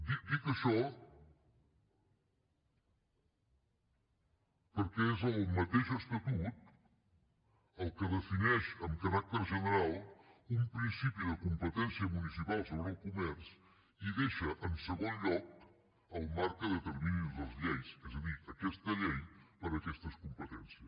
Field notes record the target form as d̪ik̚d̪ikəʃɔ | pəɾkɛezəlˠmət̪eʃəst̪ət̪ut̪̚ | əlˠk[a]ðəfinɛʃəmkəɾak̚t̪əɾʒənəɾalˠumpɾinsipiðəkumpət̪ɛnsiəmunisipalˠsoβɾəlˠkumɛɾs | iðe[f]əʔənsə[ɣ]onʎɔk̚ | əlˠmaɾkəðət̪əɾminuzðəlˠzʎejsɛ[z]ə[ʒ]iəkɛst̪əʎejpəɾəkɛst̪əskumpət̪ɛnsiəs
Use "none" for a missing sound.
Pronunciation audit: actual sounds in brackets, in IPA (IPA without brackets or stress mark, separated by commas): ə, ʃ, ɣ, z, ð